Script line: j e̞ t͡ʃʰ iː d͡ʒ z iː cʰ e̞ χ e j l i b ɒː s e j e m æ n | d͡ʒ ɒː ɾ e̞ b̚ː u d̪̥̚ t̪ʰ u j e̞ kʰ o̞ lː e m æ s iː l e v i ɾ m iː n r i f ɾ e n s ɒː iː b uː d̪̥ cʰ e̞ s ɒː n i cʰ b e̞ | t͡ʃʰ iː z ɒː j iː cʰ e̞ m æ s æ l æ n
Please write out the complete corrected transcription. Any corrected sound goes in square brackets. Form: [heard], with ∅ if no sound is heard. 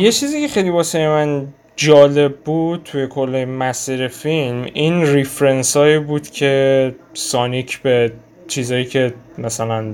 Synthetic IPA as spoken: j e̞ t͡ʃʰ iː [∅] z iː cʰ e̞ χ e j l i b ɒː s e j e m æ n | d͡ʒ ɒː [l] e̞ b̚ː u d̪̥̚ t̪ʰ u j e̞ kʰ o̞ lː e m æ s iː [ɾ] e [f] i [l] m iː n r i f ɾ e n s ɒː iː b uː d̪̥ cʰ e̞ s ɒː n i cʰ b e̞ | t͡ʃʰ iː z ɒː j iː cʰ e̞ m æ s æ l æ n